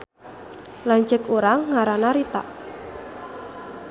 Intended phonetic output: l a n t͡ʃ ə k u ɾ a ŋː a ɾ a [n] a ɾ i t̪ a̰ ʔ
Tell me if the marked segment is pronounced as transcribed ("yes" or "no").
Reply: yes